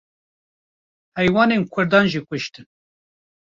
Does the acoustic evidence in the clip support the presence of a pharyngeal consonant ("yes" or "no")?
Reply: no